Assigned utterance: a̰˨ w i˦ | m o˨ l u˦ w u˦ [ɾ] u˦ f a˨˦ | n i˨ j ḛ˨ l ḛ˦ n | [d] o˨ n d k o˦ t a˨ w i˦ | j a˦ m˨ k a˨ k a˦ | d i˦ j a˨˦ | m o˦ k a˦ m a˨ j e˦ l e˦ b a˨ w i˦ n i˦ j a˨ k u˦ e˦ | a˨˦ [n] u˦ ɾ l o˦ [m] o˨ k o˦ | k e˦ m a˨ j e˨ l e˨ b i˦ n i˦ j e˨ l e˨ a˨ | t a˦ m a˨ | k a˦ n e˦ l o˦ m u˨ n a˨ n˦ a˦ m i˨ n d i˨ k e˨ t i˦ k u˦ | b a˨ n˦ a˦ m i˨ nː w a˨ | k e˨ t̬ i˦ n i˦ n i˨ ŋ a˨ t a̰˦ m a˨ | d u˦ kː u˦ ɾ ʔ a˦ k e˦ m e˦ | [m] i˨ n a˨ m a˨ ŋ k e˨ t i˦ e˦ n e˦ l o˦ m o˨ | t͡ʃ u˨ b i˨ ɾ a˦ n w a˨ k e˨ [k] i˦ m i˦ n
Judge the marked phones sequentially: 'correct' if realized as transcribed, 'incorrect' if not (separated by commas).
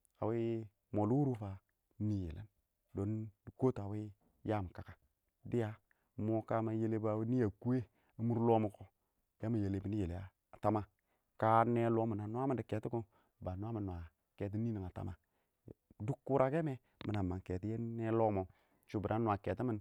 correct, correct, incorrect, correct, correct, incorrect